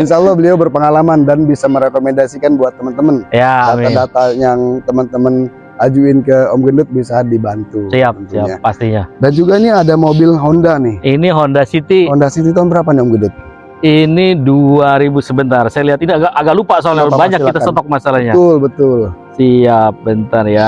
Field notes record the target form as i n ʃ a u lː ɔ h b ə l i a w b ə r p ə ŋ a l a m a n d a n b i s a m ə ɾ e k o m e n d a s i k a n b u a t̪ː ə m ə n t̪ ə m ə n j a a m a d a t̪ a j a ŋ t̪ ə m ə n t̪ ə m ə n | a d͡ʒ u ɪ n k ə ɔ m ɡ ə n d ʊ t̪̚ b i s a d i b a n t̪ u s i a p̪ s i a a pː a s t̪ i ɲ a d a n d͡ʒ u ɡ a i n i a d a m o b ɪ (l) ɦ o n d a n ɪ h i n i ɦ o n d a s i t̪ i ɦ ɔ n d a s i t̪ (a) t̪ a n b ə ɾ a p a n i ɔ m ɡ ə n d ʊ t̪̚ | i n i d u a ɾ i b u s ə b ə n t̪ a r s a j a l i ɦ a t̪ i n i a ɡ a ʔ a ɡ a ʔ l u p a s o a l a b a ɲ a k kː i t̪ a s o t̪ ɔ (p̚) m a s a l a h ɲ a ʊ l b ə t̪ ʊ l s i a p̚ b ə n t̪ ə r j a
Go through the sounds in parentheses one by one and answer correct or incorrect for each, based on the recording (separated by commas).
correct, incorrect, incorrect